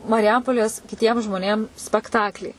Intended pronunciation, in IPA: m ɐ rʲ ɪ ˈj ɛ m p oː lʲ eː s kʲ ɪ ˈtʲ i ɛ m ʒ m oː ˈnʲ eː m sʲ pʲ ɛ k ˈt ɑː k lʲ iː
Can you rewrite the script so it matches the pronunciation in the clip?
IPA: m ɐ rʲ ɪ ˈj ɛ m p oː lʲ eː s kʲ ɪ ˈtʲ i ɛ m ʒ m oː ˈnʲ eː m sʲ pʲ ɛ k ˈt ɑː k lʲ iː